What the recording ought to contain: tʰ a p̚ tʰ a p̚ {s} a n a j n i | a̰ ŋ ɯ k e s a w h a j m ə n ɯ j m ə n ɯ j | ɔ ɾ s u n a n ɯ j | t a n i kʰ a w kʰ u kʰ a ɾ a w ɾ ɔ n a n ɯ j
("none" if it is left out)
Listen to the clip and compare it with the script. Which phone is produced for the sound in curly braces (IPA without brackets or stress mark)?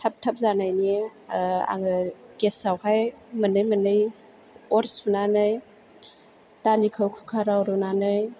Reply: z